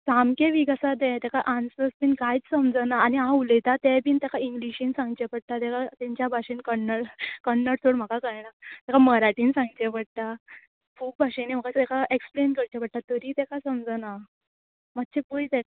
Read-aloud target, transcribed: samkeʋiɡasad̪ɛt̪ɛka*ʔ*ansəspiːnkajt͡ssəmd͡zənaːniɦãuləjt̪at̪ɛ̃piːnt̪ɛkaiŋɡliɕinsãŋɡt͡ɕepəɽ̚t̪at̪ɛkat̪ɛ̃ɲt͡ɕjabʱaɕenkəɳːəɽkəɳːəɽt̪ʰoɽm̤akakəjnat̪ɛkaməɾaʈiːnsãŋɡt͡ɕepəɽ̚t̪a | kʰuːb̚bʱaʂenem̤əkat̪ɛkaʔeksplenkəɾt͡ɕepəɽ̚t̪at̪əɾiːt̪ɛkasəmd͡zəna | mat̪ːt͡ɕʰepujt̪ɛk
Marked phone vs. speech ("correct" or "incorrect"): correct